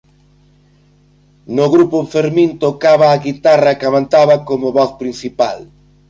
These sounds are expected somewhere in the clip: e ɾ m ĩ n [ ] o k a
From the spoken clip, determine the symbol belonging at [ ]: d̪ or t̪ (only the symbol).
t̪